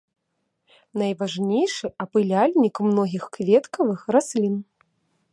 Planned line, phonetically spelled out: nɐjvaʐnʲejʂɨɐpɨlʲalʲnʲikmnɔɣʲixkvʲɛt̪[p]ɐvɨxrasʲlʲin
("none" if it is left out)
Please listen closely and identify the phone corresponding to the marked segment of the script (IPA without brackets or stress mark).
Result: k